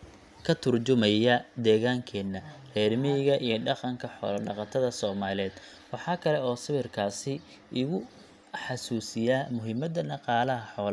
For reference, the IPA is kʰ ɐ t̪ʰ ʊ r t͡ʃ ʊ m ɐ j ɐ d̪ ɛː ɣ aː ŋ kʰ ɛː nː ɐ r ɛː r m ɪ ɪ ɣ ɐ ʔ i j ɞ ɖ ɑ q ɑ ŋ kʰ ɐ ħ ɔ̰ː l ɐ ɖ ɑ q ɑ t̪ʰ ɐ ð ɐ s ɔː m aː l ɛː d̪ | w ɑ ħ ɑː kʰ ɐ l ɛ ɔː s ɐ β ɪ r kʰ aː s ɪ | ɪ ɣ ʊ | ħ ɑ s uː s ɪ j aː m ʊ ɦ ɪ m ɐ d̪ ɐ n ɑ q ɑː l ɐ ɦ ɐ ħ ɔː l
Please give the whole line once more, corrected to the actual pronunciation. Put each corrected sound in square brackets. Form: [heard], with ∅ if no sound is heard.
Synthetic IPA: kʰ ɐ t̪ʰ ʊ r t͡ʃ ʊ m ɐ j ɐ d̪ ɛː ɣ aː ŋ kʰ ɛː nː ɐ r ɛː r m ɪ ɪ ɣ ɐ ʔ i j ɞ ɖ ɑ q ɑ ŋ kʰ ɐ ħ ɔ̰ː l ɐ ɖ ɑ q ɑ t̪ʰ ɐ ð ɐ s ɔː m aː l ɛː d̪ | w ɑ ħ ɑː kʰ ɐ l ɛ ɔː s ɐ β ɪ r kʰ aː s ɪ | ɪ ɣ ʊ | ħ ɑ s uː s ɪ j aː m ʊ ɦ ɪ m ɐ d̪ ɐ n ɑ q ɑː l ɐ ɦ ɐ ħ ɔː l